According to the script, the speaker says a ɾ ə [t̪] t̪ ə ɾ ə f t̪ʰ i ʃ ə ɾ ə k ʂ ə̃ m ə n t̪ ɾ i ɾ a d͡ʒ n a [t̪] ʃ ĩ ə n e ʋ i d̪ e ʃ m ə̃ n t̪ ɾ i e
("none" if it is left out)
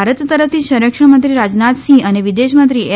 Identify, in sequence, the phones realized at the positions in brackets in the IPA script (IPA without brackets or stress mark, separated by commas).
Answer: t̪, t̪